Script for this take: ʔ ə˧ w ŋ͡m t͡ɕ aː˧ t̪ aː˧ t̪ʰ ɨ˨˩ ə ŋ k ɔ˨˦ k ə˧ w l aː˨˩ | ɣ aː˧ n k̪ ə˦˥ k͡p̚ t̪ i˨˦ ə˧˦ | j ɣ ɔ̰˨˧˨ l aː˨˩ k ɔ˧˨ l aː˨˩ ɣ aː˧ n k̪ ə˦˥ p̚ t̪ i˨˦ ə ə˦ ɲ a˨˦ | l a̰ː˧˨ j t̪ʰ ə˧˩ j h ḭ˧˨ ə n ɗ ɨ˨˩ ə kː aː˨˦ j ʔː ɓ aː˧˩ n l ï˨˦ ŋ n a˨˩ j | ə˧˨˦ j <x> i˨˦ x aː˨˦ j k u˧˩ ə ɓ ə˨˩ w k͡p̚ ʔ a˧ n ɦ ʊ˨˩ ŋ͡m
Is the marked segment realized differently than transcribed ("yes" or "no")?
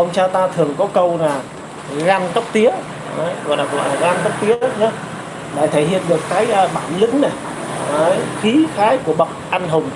no